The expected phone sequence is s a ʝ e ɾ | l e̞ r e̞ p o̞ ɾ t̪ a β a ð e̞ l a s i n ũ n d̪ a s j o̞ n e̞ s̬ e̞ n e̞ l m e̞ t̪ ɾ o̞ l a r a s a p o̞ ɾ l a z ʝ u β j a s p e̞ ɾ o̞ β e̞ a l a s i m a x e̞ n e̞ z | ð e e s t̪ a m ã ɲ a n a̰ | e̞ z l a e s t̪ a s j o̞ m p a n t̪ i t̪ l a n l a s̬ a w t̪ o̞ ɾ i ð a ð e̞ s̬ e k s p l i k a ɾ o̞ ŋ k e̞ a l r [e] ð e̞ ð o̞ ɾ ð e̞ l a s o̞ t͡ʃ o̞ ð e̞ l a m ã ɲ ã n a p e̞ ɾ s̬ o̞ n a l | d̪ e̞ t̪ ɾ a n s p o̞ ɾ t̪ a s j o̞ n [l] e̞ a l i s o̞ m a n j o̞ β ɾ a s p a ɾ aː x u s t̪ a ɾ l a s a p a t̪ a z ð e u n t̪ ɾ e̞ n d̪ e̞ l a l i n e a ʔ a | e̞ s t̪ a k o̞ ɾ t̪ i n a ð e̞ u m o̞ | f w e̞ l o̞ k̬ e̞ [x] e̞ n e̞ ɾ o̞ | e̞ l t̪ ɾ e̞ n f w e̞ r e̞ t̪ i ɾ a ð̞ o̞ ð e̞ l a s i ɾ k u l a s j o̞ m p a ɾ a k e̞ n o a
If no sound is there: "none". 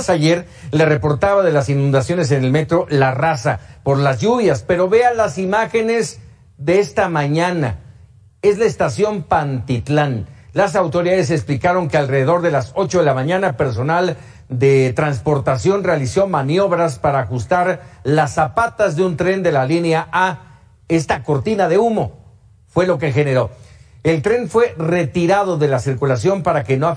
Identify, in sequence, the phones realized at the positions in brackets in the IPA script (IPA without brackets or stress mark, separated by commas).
e, r, x